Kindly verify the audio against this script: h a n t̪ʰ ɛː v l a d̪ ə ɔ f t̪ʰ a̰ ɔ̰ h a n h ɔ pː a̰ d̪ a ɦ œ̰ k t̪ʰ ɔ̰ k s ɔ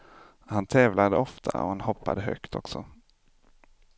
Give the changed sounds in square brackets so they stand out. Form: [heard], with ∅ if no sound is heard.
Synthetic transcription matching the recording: h a n t̪ʰ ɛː v l a d̪ ə ɔ f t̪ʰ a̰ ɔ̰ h a n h ɔ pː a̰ d̪ [ə] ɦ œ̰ k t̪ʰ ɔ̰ k s ɔ